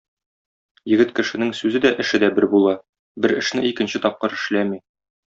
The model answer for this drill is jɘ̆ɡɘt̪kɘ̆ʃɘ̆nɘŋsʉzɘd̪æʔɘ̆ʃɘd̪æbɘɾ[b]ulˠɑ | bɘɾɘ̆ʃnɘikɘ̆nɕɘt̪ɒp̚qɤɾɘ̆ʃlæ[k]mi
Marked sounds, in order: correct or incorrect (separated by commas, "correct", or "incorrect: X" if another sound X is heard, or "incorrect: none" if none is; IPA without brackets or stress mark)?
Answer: correct, incorrect: none